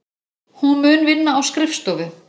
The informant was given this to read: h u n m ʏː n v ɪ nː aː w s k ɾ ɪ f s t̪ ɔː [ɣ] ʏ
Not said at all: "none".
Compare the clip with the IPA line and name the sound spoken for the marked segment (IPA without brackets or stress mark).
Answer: v